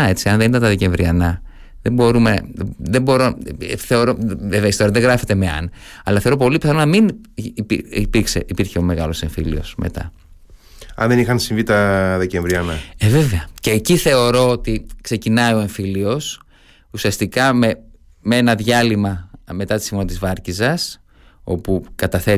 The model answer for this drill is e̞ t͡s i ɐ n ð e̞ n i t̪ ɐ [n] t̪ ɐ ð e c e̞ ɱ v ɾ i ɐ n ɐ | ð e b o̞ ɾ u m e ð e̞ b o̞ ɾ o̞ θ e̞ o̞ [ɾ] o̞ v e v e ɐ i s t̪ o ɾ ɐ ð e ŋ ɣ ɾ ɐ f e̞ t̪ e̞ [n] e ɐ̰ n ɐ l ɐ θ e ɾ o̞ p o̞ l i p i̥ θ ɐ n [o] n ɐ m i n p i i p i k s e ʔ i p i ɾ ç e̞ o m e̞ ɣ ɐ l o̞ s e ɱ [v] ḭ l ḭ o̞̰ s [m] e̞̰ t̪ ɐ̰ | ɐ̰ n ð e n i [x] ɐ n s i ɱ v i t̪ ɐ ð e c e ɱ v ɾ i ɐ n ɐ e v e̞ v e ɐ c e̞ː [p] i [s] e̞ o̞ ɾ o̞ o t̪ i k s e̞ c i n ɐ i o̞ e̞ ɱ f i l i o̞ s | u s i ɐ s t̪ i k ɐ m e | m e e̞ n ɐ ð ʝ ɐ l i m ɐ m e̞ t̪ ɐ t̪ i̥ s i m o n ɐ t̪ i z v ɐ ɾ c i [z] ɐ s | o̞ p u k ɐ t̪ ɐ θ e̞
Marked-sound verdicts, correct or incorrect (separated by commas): correct, correct, incorrect, correct, incorrect, correct, correct, incorrect, incorrect, correct